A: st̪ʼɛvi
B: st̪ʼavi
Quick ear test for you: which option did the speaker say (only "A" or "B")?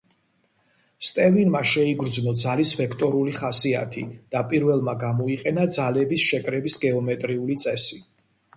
A